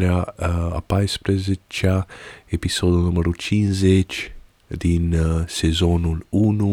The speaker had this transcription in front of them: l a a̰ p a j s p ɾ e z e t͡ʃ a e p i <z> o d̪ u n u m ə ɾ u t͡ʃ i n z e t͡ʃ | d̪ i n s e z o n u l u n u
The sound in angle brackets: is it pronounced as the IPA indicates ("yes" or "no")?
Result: no